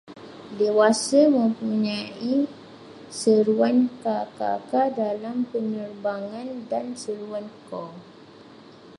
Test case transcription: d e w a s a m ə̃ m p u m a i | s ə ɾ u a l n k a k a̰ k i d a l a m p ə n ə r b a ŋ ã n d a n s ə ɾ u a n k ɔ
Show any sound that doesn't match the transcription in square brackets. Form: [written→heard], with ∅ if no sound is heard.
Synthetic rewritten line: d e w a s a m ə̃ m p u [m→ɲ] a i | s ə ɾ u a [l→∅] n k a k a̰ k [i→a] d a l a m p ə n ə r b a ŋ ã n d a n s ə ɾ u a n k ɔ